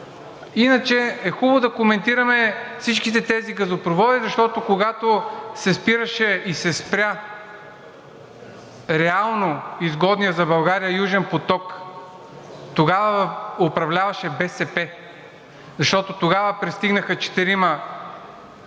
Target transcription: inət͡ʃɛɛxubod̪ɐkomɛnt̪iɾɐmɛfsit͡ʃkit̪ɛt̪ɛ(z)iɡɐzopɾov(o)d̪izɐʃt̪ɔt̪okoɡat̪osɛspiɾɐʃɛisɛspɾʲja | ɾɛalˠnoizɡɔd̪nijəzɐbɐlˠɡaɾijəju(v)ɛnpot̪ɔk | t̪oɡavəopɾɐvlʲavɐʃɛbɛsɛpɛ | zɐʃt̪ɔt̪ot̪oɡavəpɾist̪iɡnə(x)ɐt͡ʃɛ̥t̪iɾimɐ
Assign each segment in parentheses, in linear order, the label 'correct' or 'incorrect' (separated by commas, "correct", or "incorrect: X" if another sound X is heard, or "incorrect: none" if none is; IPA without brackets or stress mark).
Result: correct, incorrect: ɔ, incorrect: ʒ, correct